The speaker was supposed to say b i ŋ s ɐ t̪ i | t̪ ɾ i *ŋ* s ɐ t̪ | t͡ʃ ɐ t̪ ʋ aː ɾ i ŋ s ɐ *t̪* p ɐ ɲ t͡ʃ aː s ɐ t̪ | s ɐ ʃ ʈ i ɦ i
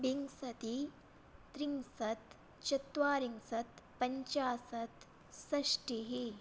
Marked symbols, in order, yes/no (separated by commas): yes, yes